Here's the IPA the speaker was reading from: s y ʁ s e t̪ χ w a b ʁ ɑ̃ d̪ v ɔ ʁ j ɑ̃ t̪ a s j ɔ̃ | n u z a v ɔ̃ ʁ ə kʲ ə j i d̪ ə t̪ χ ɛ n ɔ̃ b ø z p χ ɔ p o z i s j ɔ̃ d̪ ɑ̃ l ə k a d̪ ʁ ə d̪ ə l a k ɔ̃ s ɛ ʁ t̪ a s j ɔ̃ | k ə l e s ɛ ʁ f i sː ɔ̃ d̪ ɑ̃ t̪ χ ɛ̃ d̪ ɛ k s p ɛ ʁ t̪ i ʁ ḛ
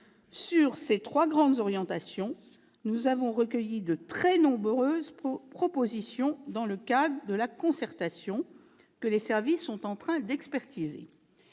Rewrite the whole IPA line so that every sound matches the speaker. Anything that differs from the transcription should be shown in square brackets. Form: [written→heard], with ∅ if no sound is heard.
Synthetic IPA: s y ʁ s e t̪ χ w a [b→ɡ] ʁ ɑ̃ d̪ [v→z] ɔ ʁ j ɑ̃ t̪ a s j ɔ̃ | n u z a v ɔ̃ ʁ ə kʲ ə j i d̪ ə t̪ χ ɛ n ɔ̃ b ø z p χ ɔ p o z i s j ɔ̃ d̪ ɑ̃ l ə k a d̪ ʁ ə d̪ ə l a k ɔ̃ s ɛ ʁ t̪ a s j ɔ̃ | k ə l e s ɛ ʁ [f→v] i sː ɔ̃ [d̪→t̪] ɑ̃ t̪ χ ɛ̃ d̪ ɛ k s p ɛ ʁ t̪ i [ʁ→z] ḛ